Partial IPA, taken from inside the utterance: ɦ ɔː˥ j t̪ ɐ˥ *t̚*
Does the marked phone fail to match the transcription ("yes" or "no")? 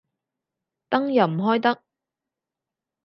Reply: yes